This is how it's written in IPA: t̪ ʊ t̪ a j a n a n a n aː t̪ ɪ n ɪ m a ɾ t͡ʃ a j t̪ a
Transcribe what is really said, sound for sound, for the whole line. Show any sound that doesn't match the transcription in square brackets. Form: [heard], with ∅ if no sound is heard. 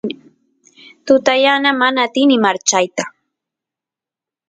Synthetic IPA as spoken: t̪ ʊ t̪ a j a n a [m] a n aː t̪ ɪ n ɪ m a ɾ t͡ʃ a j t̪ a